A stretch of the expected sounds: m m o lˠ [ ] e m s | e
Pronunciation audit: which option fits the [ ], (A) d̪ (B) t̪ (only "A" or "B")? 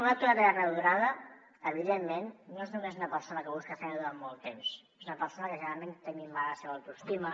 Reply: B